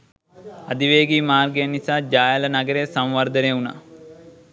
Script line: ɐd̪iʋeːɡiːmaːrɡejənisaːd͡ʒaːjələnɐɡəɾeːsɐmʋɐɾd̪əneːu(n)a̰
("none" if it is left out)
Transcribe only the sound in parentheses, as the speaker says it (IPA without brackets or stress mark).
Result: n